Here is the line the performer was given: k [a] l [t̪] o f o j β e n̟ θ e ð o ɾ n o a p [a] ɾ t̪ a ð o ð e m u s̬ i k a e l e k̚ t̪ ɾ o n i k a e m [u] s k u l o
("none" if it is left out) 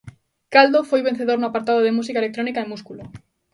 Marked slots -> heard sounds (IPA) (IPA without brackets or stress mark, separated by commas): a, d̪, a, u